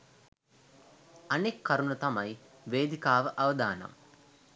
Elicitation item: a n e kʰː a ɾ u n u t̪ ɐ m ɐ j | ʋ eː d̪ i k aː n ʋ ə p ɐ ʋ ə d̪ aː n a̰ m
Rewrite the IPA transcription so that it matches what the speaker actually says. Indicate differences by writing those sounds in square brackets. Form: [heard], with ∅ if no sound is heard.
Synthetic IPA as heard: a n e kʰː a ɾ u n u t̪ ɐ m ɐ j | ʋ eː d̪ i k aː [∅] ʋ ə [ʔ] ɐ ʋ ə d̪ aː n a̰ m